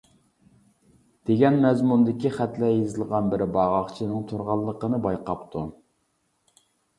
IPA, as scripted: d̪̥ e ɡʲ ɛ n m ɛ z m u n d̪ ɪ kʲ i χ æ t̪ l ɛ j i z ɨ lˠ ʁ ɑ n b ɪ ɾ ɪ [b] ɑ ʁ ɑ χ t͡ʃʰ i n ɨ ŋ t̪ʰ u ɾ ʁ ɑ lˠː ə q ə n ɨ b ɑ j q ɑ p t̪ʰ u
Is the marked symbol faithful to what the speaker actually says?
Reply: yes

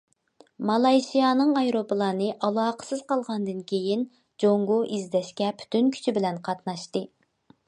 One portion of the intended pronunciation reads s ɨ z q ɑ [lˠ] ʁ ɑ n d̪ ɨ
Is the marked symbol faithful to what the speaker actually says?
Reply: yes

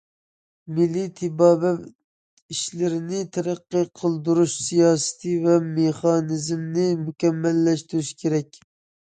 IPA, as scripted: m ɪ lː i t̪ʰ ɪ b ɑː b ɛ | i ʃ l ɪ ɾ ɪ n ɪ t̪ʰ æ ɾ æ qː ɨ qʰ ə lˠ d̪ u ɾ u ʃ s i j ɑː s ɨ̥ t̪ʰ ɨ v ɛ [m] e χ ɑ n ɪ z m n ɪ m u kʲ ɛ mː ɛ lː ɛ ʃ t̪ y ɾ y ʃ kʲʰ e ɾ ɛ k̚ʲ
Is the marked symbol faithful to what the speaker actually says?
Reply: yes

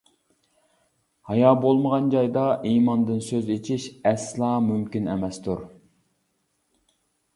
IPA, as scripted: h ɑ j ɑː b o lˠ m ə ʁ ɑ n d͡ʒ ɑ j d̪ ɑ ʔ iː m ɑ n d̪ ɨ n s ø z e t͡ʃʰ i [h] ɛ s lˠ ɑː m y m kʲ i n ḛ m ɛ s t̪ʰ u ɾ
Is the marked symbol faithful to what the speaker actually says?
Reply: no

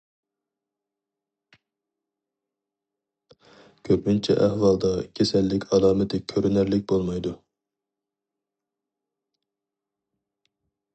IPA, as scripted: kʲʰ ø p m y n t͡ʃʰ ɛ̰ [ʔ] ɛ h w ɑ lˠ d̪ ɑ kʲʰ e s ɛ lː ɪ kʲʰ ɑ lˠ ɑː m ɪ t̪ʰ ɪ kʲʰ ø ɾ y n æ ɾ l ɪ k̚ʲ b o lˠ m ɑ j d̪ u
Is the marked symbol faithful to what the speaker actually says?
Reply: yes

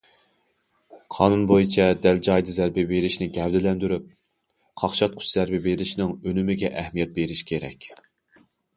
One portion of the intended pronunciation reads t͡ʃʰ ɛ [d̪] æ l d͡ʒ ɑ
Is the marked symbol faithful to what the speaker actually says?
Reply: yes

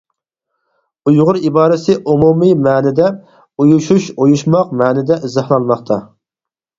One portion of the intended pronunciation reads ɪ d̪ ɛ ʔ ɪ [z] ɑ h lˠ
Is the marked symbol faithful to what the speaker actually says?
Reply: yes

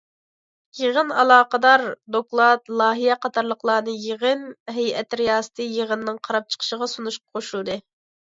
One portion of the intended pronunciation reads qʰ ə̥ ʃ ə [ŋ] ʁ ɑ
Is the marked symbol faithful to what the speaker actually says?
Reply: no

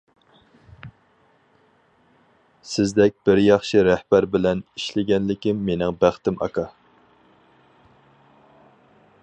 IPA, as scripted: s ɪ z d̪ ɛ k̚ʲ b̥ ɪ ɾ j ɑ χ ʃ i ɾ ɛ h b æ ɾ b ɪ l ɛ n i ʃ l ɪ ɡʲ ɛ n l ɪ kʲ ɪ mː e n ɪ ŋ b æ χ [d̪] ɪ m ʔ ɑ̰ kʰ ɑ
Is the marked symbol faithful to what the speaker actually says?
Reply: no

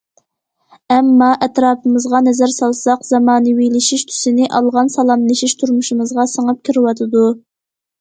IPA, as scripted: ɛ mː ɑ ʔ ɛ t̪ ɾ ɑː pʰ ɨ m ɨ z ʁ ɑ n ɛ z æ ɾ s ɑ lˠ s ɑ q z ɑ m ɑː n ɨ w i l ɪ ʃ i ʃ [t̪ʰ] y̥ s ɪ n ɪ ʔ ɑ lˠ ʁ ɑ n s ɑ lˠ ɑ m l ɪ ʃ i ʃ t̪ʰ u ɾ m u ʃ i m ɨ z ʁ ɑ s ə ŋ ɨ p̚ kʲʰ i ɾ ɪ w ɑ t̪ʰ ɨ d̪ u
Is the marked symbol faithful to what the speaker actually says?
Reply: yes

